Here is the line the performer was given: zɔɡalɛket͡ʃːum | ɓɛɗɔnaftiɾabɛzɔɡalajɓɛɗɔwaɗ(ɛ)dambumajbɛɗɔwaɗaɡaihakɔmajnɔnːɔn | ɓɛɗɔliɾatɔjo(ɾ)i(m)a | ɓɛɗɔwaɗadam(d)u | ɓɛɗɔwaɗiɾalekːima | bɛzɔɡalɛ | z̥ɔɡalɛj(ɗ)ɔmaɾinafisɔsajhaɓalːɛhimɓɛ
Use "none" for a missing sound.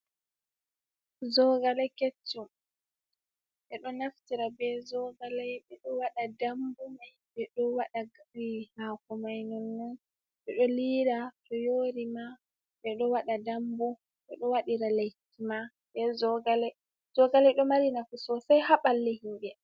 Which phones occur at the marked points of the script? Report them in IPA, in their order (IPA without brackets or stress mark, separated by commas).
a, ɾ, m, b, ɗ